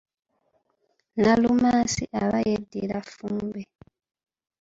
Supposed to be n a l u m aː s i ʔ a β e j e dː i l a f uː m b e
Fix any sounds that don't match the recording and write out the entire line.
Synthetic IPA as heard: n a l u m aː s i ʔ a β a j e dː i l a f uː m b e